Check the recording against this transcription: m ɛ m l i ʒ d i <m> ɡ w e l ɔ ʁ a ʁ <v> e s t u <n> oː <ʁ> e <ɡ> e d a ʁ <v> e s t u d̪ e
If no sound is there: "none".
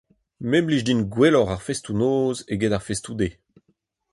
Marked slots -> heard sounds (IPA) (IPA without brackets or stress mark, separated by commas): n, f, n, z, ɡ, f